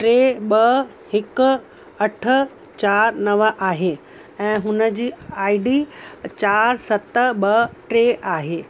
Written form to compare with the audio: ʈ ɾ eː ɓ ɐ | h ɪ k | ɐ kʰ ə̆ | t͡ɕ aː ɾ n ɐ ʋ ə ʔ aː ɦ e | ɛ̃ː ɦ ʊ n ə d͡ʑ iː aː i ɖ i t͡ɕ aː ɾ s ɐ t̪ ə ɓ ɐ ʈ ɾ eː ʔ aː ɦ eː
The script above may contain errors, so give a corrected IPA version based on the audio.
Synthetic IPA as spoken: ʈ ɾ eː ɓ ɐ | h ɪ k | ɐ ʈʰ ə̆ | t͡ɕ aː ɾ n ɐ ʋ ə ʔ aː ɦ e | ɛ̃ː ɦ ʊ n ə d͡ʑ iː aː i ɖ i t͡ɕ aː ɾ s ɐ t̪ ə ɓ ɐ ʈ ɾ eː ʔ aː ɦ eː